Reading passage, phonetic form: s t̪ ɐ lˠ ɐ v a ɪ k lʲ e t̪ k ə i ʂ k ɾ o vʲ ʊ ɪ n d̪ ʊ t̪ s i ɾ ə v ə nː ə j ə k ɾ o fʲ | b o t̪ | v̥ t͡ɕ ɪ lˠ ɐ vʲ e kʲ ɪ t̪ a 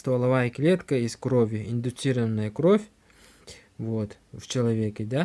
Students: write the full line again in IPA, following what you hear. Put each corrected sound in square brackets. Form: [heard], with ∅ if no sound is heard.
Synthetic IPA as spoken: s t̪ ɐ lˠ ɐ v a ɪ k lʲ e t̪ k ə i [s] k ɾ o vʲ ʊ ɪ n d̪ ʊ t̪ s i ɾ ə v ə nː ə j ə k ɾ o fʲ | [v] o t̪ | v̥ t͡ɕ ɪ lˠ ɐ vʲ e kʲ ɪ [d̪] a

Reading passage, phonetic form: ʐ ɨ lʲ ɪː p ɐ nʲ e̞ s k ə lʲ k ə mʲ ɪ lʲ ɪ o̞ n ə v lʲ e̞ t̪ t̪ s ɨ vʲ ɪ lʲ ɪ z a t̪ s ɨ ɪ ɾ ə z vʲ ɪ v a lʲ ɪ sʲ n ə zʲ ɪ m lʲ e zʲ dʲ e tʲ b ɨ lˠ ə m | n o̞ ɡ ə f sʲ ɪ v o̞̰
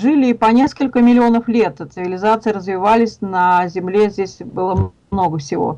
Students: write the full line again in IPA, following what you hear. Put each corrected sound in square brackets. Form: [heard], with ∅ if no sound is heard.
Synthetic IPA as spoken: ʐ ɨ lʲ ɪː p ɐ nʲ e̞ s k ə lʲ k ə mʲ ɪ lʲ ɪ o̞ n ə [f] lʲ e̞ t̪ t̪ s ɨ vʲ ɪ lʲ ɪ z a t̪ s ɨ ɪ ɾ ə z vʲ ɪ v a lʲ ɪ sʲ n ə zʲ ɪ m lʲ e zʲ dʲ e [sʲ] b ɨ lˠ ə m | n o̞ ɡ ə f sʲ ɪ v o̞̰

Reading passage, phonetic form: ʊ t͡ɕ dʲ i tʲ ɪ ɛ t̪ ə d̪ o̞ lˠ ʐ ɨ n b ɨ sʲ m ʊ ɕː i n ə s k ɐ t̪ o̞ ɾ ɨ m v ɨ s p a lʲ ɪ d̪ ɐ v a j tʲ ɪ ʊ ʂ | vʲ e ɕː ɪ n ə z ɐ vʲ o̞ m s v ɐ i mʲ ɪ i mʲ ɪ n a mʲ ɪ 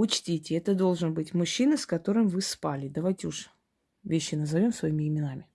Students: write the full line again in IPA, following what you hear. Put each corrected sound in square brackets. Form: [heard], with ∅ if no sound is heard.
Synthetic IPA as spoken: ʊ t͡ɕ [tʲ] i tʲ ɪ ɛ t̪ ə d̪ o̞ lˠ ʐ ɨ n b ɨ [tʲ] m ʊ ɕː i n ə s k ɐ t̪ o̞ ɾ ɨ m v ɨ s p a lʲ ɪ d̪ ɐ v a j tʲ ɪ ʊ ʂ | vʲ e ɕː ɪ n ə z ɐ vʲ o̞ m s v ɐ i mʲ ɪ [ɪ] mʲ ɪ n a mʲ ɪ

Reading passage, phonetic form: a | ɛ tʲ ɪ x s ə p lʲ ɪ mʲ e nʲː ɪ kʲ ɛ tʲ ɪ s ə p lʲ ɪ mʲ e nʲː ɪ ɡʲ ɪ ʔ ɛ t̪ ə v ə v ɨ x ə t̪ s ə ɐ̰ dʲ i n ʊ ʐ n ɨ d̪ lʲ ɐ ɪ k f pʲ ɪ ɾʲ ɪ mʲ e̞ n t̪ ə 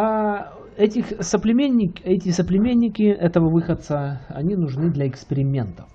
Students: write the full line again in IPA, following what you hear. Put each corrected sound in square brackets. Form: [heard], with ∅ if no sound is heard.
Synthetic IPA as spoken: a | ɛ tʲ ɪ x s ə p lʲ ɪ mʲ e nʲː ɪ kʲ ɛ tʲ ɪ s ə p lʲ ɪ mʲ e nʲː ɪ [kʲ] ɪ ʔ ɛ t̪ ə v ə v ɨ x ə t̪ s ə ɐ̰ [nʲ] i n ʊ ʐ n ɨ d̪ lʲ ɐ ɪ k [s] pʲ ɪ ɾʲ ɪ mʲ e̞ n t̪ ə

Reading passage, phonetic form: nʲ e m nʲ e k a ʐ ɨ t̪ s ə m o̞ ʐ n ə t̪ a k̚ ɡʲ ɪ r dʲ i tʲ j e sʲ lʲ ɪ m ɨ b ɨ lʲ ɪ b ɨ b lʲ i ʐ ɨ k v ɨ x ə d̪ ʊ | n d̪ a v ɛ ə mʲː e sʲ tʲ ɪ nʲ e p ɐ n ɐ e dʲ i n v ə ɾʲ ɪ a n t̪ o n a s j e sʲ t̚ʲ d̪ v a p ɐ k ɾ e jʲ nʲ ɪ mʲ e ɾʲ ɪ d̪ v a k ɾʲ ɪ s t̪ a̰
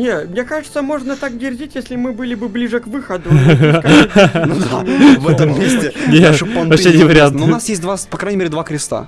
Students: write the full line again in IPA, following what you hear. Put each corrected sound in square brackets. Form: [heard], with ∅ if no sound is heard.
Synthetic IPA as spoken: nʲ e m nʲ e k a ʐ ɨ t̪ s ə m o̞ ʐ n ə t̪ a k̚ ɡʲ ɪ r dʲ i tʲ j e sʲ lʲ ɪ m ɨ b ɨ lʲ ɪ b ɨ b lʲ i ʐ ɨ k v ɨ x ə d̪ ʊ | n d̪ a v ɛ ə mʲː e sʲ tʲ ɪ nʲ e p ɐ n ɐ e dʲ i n v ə ɾʲ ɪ a n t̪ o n a s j e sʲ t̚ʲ d̪ v a p ɐ k ɾ [a] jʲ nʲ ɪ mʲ e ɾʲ ɪ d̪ v a k ɾʲ ɪ s t̪ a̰

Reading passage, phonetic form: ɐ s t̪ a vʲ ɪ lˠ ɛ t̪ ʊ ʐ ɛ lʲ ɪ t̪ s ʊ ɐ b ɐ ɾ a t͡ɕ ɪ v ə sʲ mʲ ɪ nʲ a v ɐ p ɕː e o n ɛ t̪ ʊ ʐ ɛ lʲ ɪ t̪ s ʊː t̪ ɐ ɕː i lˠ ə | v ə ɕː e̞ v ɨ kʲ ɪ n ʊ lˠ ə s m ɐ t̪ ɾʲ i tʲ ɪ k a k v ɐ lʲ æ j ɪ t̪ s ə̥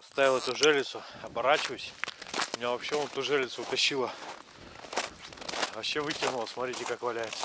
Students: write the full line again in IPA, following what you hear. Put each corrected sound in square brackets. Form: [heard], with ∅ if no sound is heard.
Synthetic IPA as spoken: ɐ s t̪ a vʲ ɪ lˠ ɛ t̪ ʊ ʐ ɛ lʲ ɪ t̪ s ʊ ɐ b ɐ ɾ a t͡ɕ ɪ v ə sʲ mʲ ɪ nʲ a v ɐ p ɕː e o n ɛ t̪ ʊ ʐ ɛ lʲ ɪ t̪ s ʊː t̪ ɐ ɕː i lˠ ə | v [ɐ] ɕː e̞ v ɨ [tʲ] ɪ n ʊ lˠ ə s m ɐ t̪ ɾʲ i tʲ ɪ k a k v ɐ lʲ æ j ɪ t̪ s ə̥

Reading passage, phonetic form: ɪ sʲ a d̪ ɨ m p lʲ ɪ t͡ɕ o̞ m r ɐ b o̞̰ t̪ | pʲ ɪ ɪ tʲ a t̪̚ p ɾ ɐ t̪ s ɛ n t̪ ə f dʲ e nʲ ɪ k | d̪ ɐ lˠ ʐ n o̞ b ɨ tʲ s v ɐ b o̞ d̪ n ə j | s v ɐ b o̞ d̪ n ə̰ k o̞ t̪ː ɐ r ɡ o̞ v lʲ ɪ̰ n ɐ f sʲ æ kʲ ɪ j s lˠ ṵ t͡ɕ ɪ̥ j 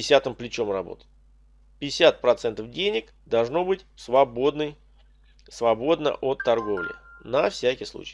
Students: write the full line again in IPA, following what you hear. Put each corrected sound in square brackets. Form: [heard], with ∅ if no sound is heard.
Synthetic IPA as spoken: ɪ sʲ a [t̪] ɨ m p lʲ ɪ t͡ɕ o̞ m r ɐ b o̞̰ t̪ | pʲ ɪ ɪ [sʲ] a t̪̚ p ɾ ɐ t̪ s ɛ n t̪ ə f dʲ e nʲ ɪ k | d̪ ɐ lˠ ʐ n o̞ b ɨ tʲ s v ɐ b o̞ d̪ n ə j | s v ɐ b o̞ d̪ n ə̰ [ʔ] o̞ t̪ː ɐ r ɡ o̞ v lʲ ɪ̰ n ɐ f sʲ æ kʲ ɪ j s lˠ ṵ t͡ɕ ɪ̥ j

